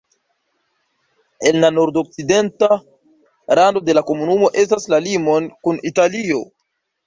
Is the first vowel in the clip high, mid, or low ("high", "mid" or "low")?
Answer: mid